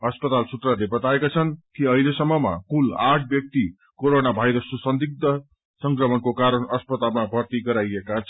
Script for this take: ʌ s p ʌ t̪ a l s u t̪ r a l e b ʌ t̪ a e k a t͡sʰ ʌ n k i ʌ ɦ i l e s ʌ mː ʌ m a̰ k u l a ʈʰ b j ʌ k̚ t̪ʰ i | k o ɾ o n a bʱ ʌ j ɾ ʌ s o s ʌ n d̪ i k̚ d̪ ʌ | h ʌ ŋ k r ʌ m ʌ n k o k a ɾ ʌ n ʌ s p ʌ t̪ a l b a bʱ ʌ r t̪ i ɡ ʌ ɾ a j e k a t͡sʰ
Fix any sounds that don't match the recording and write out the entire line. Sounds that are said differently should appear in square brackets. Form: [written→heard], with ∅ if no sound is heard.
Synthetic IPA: ʌ s p ʌ t̪ a l s u t̪ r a l e b ʌ t̪ a e k a t͡sʰ ʌ n k i ʌ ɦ i l e s ʌ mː ʌ m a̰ k u l a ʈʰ b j ʌ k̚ [t̪ʰ→t̪] i | k o ɾ o n a bʱ [ʌ→a] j ɾ ʌ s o s ʌ n d̪ i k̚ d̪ ʌ | [h→s] ʌ ŋ k r ʌ m ʌ n k o k a ɾ ʌ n ʌ s p ʌ t̪ a l [b→m] a bʱ ʌ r t̪ i ɡ ʌ ɾ a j e k a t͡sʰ